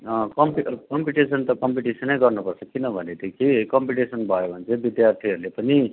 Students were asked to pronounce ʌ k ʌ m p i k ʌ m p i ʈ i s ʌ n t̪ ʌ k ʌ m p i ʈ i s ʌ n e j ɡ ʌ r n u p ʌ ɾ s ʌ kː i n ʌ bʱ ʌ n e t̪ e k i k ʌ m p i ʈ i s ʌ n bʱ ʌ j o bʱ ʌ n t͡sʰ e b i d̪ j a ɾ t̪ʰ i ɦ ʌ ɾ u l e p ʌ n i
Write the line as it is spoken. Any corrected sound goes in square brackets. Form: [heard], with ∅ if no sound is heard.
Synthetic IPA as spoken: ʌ k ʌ m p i k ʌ m p i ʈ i s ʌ n t̪ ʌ k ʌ m p i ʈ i s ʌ n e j ɡ ʌ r n u p ʌ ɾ s ʌ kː i n ʌ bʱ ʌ n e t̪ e k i k ʌ m p i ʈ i s ʌ n bʱ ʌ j o bʱ ʌ n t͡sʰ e b i d̪ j a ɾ t̪ʰ i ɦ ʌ ɾ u l e p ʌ n i